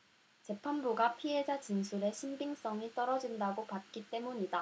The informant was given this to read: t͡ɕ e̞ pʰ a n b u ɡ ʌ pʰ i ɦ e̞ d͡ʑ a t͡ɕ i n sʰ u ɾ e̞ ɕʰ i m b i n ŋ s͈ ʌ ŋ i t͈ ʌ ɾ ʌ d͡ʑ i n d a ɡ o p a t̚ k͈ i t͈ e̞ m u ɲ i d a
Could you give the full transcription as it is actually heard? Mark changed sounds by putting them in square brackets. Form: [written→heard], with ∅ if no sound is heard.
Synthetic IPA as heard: t͡ɕ e̞ pʰ a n b u ɡ [ʌ→a] pʰ i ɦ e̞ d͡ʑ a t͡ɕ i n sʰ u ɾ e̞ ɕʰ i m b i [n→∅] ŋ s͈ ʌ ŋ i t͈ ʌ ɾ ʌ d͡ʑ i n d a ɡ o p a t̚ k͈ i t͈ e̞ m u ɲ i d a